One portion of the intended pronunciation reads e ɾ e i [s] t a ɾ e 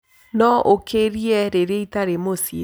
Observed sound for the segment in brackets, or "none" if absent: none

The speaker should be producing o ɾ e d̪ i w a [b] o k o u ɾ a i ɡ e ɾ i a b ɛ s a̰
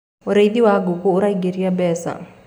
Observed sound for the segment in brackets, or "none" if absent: ɡ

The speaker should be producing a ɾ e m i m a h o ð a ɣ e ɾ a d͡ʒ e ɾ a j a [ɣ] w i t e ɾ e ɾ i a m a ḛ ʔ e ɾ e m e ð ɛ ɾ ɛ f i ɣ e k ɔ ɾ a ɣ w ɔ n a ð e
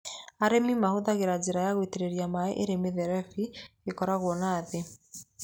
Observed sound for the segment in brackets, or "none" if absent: ɣ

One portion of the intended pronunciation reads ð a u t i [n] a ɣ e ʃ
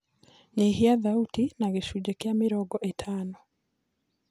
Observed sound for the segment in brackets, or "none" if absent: n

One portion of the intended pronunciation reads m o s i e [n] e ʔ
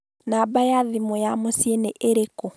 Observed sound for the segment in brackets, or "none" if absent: n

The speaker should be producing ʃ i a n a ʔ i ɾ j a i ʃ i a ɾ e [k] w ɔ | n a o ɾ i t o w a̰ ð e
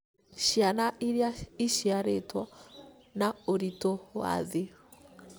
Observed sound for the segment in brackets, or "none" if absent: t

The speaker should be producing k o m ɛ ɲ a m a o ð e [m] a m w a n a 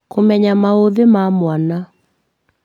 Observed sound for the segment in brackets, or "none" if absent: m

